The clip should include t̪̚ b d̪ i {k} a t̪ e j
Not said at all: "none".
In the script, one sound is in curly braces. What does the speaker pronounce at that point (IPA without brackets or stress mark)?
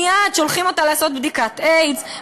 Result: k